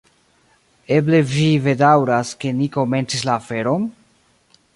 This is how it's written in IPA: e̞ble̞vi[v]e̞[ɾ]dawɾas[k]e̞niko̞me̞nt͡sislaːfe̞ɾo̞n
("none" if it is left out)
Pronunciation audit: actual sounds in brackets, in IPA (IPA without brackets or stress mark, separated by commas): v, none, k